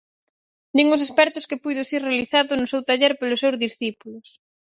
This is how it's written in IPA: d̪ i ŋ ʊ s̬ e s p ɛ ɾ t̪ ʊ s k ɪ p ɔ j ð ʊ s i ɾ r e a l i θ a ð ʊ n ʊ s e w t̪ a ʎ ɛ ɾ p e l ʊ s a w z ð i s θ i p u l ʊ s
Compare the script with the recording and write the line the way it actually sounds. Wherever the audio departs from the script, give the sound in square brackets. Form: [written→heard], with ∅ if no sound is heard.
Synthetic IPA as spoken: d̪ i ŋ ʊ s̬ e s p ɛ ɾ t̪ ʊ s k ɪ p [ɔ→u] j ð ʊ s i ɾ r e a l i θ a ð ʊ n ʊ s e w t̪ a ʎ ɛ ɾ p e l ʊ s [a→e] w z ð i s θ i p u l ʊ s